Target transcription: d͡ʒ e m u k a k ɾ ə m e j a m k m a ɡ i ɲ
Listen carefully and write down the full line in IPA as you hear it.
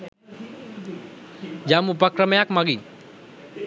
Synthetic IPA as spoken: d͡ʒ a m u p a k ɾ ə m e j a k m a ɡ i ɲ